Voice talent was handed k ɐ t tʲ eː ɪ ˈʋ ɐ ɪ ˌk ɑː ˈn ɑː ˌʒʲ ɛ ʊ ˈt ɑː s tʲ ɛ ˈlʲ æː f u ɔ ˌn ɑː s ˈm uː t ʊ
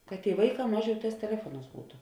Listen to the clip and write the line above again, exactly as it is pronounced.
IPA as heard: k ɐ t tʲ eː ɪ ˈʋ ɐ ɪ ˌk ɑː ˈm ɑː ˌʒʲ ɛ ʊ ˈt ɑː s tʲ ɛ ˈlʲ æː f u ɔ ˌn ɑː s ˈb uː t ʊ